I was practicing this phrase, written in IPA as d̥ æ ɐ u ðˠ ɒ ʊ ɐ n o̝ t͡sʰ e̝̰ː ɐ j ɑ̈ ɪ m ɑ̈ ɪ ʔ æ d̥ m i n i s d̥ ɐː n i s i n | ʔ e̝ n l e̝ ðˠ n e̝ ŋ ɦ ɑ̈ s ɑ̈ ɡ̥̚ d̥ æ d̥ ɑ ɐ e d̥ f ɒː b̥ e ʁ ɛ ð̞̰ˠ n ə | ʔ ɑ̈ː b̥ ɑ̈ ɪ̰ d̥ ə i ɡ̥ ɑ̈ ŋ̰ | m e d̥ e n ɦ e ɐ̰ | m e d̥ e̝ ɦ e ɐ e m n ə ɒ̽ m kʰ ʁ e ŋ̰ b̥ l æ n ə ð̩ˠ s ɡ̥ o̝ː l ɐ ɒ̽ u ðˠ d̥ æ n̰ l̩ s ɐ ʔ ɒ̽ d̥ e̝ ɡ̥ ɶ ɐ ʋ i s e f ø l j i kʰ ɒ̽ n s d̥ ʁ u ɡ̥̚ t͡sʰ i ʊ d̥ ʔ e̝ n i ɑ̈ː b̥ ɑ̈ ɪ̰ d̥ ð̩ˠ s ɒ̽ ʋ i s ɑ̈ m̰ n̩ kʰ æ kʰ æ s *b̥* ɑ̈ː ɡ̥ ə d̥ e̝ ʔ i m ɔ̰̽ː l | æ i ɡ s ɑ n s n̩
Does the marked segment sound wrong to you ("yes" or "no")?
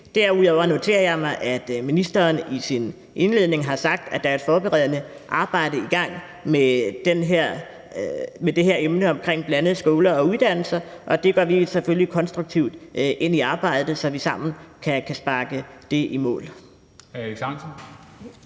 no